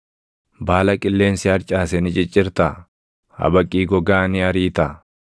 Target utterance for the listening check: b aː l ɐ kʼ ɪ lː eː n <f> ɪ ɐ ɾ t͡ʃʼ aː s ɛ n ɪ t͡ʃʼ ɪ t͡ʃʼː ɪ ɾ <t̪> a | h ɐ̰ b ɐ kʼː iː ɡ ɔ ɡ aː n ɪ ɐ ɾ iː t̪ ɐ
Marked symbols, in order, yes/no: no, yes

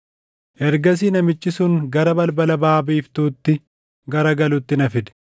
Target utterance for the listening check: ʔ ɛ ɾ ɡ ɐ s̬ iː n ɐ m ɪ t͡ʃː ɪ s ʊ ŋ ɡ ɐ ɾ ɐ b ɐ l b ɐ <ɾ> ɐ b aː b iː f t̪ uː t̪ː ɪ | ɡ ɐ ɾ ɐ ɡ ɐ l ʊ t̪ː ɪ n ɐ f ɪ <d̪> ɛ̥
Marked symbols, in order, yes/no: no, yes

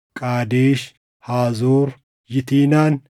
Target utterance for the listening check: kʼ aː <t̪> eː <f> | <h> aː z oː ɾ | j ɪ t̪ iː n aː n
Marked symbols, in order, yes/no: no, no, yes

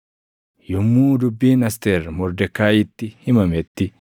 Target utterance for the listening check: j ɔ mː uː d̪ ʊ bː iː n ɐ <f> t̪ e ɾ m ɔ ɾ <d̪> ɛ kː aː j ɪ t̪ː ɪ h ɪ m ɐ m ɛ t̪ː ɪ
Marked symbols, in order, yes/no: no, yes

